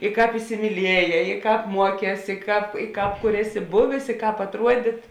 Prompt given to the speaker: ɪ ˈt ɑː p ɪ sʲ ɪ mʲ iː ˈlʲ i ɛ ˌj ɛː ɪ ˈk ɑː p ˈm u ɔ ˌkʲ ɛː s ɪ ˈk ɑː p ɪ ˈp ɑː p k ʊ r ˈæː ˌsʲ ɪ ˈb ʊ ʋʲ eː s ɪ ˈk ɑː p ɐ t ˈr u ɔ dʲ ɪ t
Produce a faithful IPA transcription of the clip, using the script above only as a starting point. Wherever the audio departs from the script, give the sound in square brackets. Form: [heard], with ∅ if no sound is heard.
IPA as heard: ɪ [ˈk] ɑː p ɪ sʲ ɪ mʲ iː ˈlʲ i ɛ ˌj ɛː ɪ ˈk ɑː p ˈm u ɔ ˌkʲ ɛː s ɪ ˈk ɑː p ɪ [ˈk] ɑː p k ʊ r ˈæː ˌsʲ ɪ ˈb ʊ ʋʲ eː s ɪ ˈk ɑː p ɐ t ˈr u ɔ dʲ ɪ t